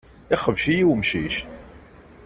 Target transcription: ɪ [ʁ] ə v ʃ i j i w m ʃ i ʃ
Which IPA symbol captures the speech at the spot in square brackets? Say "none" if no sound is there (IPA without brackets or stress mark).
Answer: χ